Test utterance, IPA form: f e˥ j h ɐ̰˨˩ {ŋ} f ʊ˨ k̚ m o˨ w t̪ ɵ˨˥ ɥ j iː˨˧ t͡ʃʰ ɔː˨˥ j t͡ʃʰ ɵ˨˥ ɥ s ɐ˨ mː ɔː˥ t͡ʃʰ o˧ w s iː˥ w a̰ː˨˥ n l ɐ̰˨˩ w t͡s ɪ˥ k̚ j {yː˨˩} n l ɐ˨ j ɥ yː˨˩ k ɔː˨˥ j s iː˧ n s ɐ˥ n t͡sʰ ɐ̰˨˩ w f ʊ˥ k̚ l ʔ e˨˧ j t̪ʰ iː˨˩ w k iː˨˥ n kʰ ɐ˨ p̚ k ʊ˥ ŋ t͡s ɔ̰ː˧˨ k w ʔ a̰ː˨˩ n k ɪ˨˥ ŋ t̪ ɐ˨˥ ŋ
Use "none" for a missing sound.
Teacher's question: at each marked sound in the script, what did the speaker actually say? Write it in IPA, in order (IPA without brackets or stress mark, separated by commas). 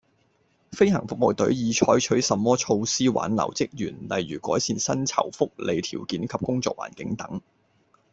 ŋ, yː˨˩